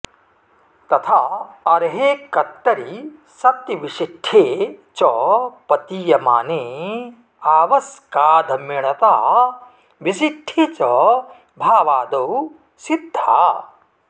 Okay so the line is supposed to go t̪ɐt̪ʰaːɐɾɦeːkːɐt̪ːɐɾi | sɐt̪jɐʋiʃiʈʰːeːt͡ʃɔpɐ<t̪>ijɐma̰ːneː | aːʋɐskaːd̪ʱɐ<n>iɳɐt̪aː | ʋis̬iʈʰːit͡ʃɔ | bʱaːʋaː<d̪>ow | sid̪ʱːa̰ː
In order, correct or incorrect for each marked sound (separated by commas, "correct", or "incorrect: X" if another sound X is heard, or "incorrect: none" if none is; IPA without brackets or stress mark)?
correct, incorrect: m, correct